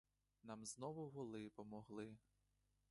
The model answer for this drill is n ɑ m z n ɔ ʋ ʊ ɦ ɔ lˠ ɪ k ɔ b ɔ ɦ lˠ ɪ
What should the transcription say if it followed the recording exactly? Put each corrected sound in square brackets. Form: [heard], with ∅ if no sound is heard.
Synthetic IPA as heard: n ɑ m z n ɔ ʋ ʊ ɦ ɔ lˠ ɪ [p] ɔ [m] ɔ ɦ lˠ ɪ